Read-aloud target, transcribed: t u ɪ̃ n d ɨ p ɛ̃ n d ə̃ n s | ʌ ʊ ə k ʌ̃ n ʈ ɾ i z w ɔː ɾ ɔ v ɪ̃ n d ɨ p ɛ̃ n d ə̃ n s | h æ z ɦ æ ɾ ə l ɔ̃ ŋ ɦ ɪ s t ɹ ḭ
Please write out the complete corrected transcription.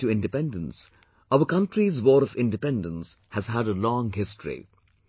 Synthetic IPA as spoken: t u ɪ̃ n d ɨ p ɛ̃ n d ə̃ n s | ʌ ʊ ə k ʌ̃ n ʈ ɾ i z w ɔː ɾ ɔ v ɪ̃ n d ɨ p ɛ̃ n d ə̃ n s | h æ z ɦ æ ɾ ə l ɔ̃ ŋ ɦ ɪ s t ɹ ḭ